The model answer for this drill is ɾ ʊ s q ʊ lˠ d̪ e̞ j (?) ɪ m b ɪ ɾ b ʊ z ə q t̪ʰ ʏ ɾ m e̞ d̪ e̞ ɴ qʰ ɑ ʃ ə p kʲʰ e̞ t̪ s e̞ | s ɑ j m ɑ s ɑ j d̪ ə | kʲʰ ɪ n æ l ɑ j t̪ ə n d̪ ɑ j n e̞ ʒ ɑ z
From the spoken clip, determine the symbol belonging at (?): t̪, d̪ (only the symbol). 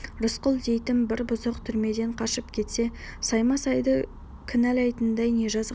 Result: t̪